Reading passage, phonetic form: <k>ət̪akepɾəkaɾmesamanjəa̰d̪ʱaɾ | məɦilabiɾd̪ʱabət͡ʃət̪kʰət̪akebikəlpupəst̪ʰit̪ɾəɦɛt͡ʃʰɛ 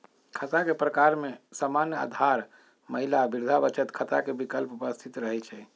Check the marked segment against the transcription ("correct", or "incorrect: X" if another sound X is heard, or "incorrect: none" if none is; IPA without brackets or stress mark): incorrect: kʰ